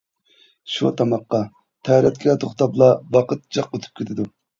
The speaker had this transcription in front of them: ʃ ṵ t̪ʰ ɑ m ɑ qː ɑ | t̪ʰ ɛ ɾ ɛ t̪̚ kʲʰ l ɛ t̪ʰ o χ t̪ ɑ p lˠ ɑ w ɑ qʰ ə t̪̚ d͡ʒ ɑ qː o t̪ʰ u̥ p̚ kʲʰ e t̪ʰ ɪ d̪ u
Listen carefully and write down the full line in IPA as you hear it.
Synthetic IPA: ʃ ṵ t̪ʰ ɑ m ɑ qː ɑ | t̪ʰ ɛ ɾ ɛ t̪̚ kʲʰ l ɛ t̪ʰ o χ t̪ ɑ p lˠ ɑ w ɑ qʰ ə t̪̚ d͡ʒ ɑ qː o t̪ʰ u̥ p̚ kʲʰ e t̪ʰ ɪ d̪ u